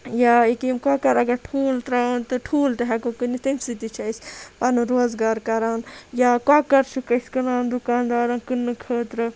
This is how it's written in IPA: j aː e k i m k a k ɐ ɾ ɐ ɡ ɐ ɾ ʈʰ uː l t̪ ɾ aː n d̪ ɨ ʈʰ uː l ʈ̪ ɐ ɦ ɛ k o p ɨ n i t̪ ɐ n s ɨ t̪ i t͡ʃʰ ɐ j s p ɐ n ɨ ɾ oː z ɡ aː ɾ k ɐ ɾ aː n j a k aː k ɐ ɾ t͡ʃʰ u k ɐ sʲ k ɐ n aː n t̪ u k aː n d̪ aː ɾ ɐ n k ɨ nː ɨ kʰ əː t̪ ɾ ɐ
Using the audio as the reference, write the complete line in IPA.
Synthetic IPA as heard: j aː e k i m k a k ɐ ɾ ɐ ɡ ɐ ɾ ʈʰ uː l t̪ ɾ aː n t̪ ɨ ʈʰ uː l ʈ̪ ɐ ɦ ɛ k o k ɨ n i t̪ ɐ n s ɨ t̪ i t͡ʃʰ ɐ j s p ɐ n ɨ ɾ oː z ɡ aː ɾ k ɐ ɾ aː n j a k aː k ɐ ɾ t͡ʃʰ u k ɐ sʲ k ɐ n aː n d̪ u k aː n d̪ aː ɾ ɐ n k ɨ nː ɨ kʰ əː t̪ ɾ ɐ